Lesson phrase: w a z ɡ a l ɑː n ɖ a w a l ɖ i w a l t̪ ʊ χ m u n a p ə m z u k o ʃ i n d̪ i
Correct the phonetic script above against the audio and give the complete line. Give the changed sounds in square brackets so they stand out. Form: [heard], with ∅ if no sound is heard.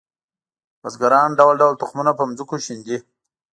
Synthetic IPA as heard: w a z ɡ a [ɾ] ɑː n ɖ a w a l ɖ [a] w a l t̪ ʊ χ m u n a p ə m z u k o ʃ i n d̪ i